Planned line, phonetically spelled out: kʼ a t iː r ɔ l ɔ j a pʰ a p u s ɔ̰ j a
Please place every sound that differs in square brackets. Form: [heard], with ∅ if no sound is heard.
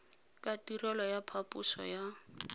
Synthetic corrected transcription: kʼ a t [i] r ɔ l ɔ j a pʰ a p u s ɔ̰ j a